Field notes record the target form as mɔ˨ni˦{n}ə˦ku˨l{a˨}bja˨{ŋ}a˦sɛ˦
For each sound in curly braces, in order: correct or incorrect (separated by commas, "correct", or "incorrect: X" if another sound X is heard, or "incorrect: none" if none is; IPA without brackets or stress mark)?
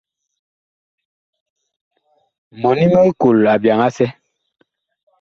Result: incorrect: m, correct, correct